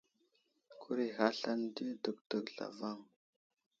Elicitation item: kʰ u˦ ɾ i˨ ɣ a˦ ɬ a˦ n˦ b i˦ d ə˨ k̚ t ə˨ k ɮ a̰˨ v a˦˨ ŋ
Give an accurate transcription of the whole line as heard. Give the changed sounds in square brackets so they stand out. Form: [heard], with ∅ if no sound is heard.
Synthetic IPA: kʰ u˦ ɾ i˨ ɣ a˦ ɬ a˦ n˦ [d] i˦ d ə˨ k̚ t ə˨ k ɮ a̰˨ v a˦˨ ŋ